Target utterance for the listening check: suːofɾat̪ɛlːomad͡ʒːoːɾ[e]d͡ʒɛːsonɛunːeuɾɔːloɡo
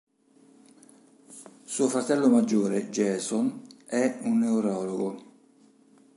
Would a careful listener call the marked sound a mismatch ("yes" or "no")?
no